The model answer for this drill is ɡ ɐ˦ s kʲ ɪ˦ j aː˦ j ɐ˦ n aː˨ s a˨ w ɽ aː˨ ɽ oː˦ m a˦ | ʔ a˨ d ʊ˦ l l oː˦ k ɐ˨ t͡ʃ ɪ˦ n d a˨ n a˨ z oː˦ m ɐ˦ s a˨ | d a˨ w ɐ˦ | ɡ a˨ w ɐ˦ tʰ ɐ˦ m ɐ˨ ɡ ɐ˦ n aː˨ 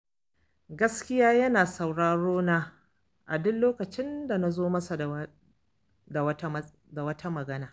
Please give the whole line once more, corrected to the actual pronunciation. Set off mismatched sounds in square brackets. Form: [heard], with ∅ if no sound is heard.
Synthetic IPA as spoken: ɡ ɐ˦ s kʲ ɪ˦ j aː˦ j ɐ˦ n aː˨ s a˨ w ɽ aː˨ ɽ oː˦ [n] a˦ | ʔ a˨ d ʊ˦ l l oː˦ k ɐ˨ t͡ʃ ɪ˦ n d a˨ n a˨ z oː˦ m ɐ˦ s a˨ | d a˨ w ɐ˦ | [d] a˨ w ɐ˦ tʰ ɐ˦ m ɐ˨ ɡ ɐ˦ n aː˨